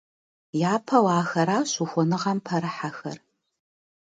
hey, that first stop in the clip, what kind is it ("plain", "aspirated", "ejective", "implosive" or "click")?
aspirated